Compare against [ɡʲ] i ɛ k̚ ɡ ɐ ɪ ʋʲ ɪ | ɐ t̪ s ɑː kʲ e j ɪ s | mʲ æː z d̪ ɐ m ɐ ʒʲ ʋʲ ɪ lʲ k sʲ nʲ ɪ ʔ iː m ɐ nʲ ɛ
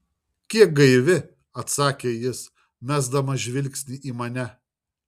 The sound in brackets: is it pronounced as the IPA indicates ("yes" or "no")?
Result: no